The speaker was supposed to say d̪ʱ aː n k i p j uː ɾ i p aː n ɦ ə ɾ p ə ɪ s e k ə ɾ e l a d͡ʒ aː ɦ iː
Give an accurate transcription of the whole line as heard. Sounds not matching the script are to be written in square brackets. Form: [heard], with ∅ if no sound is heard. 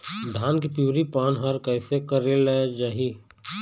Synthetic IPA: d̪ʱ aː n k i p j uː ɾ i p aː n ɦ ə ɾ [k] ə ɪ s e k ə ɾ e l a d͡ʒ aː ɦ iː